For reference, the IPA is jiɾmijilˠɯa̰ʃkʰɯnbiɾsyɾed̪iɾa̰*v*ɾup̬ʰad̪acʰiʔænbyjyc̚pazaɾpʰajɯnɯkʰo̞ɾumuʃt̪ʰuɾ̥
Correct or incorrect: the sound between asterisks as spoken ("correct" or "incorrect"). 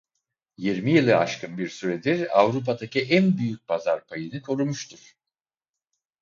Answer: correct